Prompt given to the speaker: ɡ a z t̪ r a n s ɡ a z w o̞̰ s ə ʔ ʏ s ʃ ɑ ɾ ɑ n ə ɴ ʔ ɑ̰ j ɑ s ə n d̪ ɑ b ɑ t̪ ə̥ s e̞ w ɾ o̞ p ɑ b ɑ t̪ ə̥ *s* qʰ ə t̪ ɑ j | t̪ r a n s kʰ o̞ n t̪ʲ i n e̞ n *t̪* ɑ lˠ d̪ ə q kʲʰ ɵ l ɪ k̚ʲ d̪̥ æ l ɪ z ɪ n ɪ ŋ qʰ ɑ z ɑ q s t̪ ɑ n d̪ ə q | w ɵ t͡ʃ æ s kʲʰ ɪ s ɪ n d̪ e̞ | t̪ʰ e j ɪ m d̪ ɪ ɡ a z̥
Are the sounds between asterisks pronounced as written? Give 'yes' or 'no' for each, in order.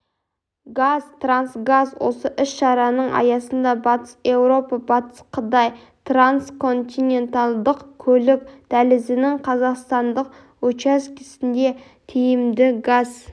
yes, yes

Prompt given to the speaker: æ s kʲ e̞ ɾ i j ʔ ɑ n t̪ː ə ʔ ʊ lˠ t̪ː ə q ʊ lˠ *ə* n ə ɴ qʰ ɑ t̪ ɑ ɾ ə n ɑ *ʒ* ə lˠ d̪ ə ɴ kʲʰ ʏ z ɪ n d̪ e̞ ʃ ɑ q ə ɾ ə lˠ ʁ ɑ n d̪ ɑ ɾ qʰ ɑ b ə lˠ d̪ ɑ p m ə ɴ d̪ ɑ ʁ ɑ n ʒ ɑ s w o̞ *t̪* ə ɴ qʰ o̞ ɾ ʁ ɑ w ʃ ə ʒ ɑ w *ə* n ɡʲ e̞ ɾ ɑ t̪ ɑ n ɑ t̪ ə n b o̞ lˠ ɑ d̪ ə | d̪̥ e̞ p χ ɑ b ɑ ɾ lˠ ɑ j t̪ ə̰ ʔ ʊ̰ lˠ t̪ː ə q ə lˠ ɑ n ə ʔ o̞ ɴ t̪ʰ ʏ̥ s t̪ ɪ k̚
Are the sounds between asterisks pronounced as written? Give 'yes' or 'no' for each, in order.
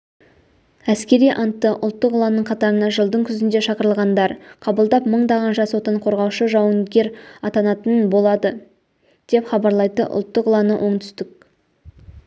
no, yes, yes, yes

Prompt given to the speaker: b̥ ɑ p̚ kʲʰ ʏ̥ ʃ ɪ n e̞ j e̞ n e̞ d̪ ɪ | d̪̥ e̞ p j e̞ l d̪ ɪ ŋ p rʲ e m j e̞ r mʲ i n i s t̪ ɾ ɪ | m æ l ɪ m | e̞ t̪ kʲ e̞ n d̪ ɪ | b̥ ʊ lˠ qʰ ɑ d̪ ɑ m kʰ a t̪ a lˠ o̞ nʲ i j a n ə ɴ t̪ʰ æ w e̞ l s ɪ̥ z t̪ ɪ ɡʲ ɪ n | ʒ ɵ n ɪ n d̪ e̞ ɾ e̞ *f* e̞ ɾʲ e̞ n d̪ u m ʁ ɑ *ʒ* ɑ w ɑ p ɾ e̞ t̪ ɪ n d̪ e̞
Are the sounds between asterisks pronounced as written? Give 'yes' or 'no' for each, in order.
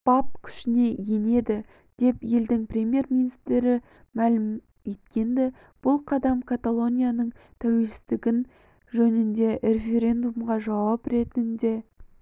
yes, yes

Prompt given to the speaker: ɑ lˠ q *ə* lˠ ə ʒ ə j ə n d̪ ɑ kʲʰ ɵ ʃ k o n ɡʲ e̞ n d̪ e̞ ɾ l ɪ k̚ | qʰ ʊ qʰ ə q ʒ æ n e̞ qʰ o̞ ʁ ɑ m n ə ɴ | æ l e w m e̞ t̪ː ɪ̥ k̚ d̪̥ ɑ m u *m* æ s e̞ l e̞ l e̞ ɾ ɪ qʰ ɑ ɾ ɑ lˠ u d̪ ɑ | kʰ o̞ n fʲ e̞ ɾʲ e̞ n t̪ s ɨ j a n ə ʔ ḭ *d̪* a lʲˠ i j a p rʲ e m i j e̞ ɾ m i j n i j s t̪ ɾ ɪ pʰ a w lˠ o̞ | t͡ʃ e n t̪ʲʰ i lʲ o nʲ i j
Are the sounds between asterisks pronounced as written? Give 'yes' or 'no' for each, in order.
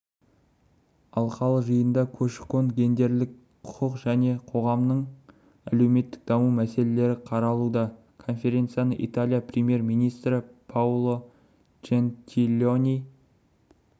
no, yes, no

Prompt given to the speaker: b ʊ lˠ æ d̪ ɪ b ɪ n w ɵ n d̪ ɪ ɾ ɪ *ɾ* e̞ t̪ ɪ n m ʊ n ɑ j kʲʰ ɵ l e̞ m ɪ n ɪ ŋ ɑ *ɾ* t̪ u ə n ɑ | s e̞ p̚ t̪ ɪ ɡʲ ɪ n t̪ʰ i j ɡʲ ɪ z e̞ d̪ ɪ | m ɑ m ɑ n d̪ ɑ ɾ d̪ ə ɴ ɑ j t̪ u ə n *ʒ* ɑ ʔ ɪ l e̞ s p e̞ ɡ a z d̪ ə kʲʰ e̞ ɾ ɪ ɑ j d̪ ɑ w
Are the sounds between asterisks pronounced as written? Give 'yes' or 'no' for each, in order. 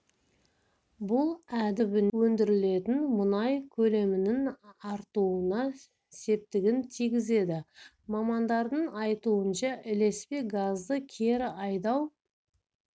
no, yes, no

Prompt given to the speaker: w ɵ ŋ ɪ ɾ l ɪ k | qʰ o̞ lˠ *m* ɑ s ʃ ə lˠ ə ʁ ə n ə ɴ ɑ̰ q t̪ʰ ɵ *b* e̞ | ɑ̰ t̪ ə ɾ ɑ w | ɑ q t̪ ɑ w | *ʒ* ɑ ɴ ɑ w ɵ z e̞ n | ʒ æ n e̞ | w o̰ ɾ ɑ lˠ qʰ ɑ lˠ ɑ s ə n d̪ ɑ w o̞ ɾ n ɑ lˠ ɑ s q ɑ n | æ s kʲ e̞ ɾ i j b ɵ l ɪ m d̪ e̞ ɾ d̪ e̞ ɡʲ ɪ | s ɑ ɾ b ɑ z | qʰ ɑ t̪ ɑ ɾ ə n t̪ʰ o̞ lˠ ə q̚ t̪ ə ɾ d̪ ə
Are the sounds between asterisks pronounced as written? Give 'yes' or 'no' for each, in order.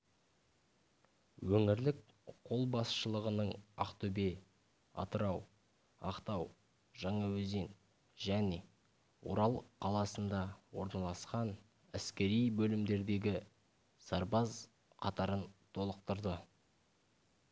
no, yes, yes

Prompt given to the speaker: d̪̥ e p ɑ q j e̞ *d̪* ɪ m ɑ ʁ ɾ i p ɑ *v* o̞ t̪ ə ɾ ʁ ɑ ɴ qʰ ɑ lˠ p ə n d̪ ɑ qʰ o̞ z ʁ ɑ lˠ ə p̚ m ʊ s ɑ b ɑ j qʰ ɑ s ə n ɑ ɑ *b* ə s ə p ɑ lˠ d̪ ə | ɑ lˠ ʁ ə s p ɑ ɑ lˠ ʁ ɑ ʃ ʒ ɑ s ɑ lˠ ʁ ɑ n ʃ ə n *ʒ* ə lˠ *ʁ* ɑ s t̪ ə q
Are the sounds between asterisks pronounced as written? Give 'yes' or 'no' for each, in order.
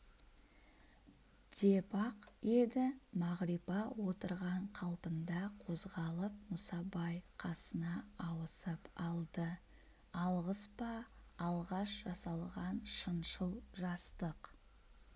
yes, no, no, no, no

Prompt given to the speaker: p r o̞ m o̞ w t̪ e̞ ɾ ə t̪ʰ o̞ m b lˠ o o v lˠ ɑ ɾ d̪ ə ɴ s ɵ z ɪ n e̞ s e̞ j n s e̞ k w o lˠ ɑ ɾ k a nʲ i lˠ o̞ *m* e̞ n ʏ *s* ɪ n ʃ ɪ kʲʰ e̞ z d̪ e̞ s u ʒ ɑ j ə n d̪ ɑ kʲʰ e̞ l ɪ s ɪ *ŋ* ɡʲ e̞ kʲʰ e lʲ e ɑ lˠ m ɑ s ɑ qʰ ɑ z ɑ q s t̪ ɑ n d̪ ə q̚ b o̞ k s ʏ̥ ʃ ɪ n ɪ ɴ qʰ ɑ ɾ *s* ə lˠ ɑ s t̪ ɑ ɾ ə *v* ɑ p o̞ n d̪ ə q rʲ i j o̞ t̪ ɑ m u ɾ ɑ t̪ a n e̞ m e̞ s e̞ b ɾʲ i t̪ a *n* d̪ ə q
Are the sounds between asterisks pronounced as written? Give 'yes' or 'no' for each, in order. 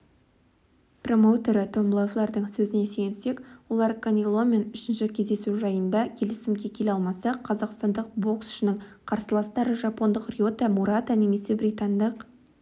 yes, no, no, yes, no, yes

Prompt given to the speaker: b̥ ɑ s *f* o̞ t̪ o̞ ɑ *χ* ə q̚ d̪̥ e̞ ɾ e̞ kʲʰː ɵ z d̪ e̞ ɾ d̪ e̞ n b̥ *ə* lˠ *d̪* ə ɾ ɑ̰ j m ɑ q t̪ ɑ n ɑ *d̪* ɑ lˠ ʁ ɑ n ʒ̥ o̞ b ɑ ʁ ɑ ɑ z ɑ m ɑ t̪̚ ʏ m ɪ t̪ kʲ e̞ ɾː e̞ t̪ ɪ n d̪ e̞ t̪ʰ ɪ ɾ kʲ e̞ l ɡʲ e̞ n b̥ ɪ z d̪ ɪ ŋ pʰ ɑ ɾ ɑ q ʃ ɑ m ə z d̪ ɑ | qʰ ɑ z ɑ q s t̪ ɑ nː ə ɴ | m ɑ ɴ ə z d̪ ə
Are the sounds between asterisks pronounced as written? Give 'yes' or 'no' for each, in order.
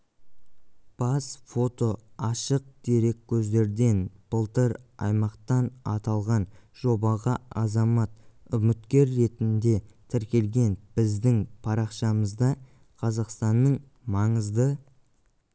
yes, no, yes, no, no

